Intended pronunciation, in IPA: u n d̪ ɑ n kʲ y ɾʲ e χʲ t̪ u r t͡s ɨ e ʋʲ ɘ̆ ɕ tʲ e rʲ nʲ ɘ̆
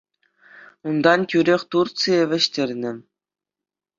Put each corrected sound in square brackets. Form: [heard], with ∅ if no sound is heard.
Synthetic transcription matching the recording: u n d̪ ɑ n kʲ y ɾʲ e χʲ t̪ u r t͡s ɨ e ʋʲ ɘ̆ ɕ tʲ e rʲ nʲ ɘ̆